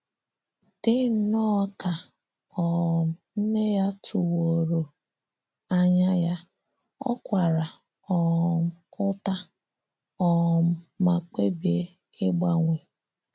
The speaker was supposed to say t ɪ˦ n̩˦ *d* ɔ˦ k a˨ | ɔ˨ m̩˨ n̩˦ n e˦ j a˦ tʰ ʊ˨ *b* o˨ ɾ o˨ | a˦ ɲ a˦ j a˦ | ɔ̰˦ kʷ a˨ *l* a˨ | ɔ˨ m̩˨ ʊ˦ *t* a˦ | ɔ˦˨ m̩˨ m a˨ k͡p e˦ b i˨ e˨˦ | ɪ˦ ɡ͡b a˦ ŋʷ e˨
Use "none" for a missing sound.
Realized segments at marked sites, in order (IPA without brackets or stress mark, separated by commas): n, w, ɾ, t